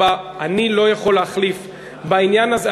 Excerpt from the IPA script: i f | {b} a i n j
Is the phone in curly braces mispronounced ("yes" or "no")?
no